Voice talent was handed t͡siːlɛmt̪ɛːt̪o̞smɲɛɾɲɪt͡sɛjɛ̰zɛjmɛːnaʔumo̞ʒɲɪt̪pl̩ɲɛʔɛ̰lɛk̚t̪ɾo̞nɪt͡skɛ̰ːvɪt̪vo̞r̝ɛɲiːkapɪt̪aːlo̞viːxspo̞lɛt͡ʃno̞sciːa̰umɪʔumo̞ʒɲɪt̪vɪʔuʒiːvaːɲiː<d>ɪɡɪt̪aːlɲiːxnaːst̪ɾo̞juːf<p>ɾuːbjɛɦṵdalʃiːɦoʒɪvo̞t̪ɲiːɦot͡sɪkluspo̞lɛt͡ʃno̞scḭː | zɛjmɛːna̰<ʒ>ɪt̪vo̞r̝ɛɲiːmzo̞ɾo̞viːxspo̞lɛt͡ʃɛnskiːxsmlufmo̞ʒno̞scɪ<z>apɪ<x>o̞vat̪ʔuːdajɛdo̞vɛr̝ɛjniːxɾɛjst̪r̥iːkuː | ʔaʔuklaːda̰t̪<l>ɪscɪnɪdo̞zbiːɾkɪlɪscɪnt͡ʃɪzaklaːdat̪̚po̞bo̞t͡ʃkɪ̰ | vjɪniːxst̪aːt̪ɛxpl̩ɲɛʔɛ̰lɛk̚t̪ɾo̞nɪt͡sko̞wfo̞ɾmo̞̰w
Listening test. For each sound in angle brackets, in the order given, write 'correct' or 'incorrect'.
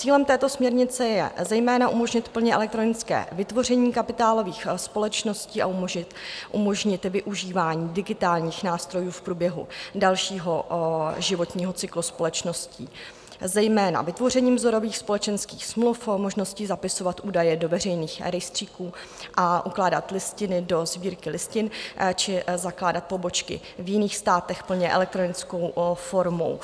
correct, correct, incorrect: v, correct, incorrect: s, correct

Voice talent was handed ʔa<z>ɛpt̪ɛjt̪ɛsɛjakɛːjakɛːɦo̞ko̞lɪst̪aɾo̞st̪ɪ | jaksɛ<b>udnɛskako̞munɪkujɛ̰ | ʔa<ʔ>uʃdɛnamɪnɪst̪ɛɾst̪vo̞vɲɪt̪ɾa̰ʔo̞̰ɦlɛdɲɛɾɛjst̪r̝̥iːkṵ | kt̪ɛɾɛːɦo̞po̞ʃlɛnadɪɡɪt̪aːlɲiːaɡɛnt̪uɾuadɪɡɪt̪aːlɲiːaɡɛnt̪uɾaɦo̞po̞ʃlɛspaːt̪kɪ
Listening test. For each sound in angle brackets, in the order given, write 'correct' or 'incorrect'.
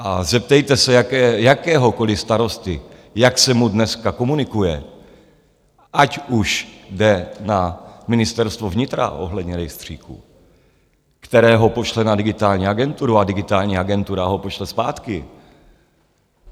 correct, incorrect: m, incorrect: c

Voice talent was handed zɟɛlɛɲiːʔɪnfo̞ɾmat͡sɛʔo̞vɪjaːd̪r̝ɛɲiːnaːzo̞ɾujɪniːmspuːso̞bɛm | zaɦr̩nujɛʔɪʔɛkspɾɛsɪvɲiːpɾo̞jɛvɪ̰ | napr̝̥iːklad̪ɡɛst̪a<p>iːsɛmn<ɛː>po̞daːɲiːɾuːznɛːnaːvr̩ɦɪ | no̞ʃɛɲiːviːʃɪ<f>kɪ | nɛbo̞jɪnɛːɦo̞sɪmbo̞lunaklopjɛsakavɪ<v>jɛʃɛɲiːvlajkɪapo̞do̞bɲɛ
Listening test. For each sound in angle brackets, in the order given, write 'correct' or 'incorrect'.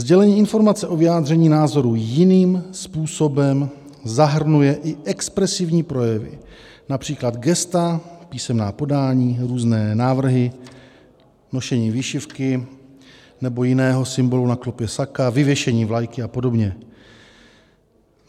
correct, incorrect: aː, correct, correct

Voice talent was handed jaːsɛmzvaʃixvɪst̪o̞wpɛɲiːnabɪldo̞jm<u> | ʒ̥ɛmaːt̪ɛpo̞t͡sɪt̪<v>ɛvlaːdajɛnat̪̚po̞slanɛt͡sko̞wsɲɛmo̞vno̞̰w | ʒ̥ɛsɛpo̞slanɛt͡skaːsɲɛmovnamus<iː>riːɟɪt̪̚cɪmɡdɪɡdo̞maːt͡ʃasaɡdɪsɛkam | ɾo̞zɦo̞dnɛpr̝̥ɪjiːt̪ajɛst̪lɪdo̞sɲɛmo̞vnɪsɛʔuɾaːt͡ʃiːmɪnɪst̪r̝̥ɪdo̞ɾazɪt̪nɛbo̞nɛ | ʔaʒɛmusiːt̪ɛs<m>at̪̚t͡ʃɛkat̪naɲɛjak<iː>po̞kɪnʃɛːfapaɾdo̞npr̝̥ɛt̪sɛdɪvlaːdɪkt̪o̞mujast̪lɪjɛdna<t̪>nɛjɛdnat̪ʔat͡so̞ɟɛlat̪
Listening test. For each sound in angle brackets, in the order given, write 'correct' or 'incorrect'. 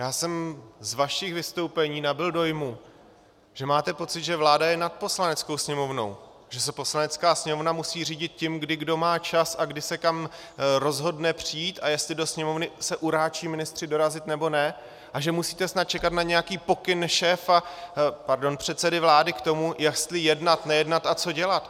correct, incorrect: ʒ, correct, incorrect: n, correct, correct

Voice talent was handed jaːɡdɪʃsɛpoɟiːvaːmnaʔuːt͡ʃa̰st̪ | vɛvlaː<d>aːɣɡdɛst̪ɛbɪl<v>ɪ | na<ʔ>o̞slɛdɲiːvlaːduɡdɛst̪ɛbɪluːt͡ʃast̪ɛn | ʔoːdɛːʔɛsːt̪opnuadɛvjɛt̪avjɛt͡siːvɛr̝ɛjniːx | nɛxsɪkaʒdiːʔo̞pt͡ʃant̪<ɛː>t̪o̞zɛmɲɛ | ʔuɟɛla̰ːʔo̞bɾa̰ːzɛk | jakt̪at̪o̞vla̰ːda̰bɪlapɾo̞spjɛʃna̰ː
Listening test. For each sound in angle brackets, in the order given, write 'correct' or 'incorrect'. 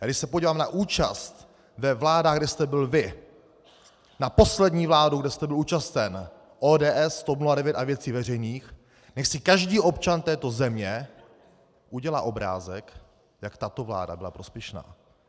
correct, correct, incorrect: p, correct

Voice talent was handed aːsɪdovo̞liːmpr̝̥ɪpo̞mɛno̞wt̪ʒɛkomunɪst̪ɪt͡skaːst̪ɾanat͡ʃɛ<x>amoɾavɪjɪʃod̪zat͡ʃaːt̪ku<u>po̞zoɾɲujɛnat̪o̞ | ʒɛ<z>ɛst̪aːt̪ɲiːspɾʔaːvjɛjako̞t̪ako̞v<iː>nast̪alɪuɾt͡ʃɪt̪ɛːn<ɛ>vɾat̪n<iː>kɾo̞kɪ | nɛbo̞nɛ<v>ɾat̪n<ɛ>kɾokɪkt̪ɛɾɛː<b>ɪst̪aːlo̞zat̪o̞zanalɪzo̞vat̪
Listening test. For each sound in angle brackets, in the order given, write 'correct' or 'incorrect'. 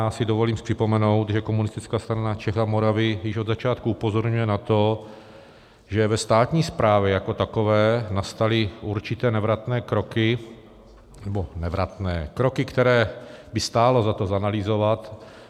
correct, correct, incorrect: v, incorrect: ɛː, correct, incorrect: ɛː, correct, incorrect: ɛː, correct

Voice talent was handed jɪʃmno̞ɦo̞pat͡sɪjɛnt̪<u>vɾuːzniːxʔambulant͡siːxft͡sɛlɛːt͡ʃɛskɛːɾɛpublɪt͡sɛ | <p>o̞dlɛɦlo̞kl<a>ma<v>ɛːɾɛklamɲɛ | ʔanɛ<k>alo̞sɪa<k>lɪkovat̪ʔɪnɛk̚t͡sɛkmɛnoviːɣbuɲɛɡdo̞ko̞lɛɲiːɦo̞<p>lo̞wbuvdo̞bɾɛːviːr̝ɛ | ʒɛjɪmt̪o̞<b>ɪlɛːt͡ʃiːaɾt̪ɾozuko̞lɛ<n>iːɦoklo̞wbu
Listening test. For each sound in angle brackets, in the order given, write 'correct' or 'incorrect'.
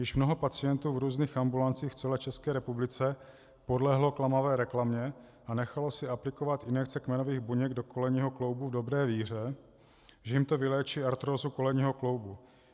incorrect: uː, correct, correct, correct, incorrect: x, incorrect: p, incorrect: k, incorrect: v, incorrect: ɲ

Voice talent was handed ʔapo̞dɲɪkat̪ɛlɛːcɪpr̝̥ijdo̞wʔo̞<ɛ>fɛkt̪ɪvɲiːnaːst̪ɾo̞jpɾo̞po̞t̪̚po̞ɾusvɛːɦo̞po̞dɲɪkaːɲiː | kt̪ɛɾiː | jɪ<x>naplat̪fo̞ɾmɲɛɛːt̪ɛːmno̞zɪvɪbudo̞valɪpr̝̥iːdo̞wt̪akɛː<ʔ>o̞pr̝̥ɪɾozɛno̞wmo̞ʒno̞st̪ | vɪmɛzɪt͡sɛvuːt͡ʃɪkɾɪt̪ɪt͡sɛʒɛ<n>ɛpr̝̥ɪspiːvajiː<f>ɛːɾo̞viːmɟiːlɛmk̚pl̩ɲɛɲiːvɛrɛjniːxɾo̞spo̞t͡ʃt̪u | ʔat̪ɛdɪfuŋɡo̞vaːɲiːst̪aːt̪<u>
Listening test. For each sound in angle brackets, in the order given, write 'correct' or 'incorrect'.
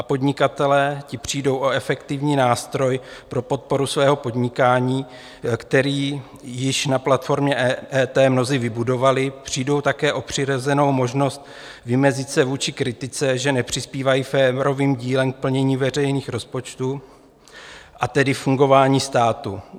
correct, incorrect: ʃ, correct, correct, correct, correct

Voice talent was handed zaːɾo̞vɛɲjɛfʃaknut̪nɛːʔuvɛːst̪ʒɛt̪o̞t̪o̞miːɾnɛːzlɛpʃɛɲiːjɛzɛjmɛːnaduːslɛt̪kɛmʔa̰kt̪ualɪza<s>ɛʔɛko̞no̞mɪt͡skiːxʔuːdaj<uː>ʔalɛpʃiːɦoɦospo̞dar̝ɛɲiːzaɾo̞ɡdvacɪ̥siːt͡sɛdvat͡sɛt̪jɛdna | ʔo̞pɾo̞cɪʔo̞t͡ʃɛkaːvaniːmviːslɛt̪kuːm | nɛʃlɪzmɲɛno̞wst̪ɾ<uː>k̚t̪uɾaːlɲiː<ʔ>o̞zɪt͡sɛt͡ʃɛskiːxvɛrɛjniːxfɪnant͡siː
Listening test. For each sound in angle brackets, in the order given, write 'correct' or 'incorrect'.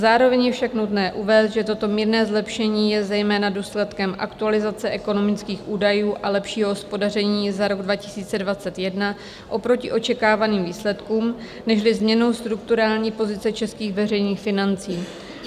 incorrect: t͡s, correct, incorrect: u, incorrect: p

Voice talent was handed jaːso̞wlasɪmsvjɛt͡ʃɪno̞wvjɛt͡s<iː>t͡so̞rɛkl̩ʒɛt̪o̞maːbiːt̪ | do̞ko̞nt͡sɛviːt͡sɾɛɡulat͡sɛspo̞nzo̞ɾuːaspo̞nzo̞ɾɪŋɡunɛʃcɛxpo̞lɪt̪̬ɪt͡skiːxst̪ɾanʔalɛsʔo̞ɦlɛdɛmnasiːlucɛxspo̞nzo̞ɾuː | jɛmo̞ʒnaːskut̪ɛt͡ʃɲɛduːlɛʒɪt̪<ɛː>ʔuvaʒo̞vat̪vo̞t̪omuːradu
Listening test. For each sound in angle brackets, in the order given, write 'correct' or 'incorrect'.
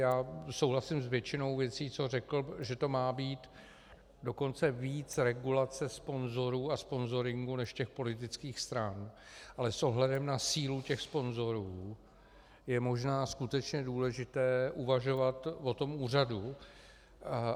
correct, correct

